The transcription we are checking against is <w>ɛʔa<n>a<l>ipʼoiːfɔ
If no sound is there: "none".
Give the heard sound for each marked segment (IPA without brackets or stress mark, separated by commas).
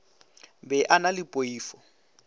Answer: b, n, l